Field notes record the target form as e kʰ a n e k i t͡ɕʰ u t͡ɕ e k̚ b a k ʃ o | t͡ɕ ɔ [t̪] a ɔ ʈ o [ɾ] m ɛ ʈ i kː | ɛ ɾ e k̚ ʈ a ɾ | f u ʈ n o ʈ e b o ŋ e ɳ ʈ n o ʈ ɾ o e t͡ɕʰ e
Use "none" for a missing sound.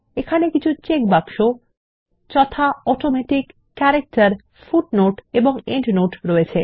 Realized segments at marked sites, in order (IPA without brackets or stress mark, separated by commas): t̪ʰ, none